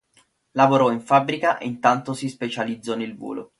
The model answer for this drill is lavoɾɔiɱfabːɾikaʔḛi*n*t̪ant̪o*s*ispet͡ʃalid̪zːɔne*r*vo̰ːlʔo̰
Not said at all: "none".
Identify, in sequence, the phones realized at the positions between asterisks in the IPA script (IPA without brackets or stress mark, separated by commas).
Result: n, s, l